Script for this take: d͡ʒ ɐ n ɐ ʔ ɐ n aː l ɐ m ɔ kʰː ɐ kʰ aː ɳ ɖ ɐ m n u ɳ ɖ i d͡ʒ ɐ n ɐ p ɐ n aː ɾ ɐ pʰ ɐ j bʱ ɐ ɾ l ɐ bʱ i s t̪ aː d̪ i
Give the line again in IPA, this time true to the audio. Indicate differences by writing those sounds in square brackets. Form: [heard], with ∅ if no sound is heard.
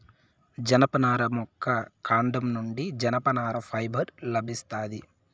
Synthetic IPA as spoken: d͡ʒ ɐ n ɐ [p] ɐ n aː [ɾ] ɐ m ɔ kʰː ɐ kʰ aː ɳ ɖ ɐ m n u ɳ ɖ i d͡ʒ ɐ n ɐ p ɐ n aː ɾ ɐ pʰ ɐ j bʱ ɐ ɾ l ɐ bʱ i s t̪ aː d̪ i